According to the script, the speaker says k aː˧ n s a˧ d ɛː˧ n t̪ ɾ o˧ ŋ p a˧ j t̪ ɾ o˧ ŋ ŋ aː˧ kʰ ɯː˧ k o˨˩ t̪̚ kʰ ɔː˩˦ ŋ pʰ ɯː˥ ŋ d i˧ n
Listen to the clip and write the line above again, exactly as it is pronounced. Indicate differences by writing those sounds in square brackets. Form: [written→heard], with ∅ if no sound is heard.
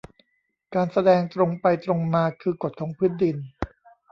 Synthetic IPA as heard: k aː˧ n s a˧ d ɛː˧ [n→ŋ] t̪ ɾ o˧ ŋ p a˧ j t̪ ɾ o˧ ŋ [ŋ→m] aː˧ kʰ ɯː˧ k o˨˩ t̪̚ kʰ ɔː˩˦ ŋ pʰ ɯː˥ [ŋ→n] d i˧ n

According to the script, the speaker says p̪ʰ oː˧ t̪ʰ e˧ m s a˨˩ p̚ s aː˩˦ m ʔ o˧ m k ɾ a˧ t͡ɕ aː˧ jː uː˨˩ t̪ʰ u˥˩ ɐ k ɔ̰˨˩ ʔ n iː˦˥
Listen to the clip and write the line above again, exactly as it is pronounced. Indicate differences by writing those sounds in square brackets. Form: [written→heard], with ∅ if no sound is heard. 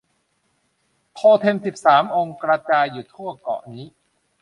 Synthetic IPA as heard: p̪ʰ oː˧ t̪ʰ e˧ m s [a˨˩→i˨˩] p̚ s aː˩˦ m ʔ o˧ [m→ŋ] k ɾ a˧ t͡ɕ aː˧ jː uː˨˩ t̪ʰ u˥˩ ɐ k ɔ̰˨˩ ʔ n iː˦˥

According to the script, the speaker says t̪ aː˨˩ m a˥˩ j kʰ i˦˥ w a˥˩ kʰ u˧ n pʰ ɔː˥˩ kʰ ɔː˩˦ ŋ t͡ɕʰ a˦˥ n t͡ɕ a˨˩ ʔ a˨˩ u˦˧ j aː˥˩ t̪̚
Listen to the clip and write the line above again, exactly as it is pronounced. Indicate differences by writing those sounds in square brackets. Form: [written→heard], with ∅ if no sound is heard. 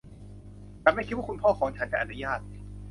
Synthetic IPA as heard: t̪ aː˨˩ m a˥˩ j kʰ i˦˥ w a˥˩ [kʰ→k] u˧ n pʰ ɔː˥˩ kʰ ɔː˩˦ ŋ t͡ɕʰ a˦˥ n t͡ɕ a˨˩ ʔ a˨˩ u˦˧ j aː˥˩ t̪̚

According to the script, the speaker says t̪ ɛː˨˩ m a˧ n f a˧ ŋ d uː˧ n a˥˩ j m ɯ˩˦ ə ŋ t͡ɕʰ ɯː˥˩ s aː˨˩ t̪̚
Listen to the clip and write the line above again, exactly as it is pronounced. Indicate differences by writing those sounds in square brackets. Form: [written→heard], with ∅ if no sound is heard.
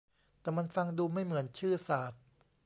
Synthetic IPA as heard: t̪ ɛː˨˩ m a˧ n f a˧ ŋ d uː˧ [n→m] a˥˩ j m ɯ˩˦ ə [ŋ→n] t͡ɕʰ ɯː˥˩ s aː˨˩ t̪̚

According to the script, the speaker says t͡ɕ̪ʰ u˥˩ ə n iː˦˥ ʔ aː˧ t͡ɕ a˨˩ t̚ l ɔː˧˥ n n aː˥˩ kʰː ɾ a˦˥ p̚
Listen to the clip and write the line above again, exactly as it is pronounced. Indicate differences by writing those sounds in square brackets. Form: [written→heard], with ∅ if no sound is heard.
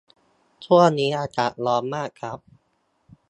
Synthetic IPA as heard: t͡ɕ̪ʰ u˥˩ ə n iː˦˥ ʔ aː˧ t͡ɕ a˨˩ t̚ l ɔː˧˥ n [n→m] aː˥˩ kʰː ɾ a˦˥ p̚

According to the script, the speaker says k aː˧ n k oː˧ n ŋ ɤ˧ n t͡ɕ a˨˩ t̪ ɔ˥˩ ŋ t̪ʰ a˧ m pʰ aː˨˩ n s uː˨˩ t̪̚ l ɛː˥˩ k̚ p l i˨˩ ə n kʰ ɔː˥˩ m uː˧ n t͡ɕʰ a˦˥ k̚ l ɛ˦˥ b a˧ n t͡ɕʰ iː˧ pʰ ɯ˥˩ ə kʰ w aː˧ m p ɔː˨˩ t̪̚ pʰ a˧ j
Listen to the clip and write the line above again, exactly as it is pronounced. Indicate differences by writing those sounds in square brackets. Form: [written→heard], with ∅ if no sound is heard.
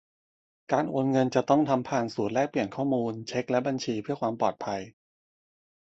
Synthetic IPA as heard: k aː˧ n [k→ʔ] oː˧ n ŋ ɤ˧ n t͡ɕ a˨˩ t̪ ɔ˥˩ ŋ t̪ʰ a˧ m pʰ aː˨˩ n s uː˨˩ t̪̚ l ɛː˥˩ k̚ p l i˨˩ ə n kʰ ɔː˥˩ m uː˧ n t͡ɕʰ [a˦˥→e˦˥] k̚ l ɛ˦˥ b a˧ n t͡ɕʰ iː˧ pʰ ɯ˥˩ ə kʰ w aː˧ m p ɔː˨˩ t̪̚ pʰ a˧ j

